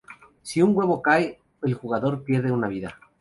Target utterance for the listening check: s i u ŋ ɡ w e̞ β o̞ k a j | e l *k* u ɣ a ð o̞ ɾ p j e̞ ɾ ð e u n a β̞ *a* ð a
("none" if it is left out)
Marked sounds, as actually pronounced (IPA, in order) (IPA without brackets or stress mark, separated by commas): x, i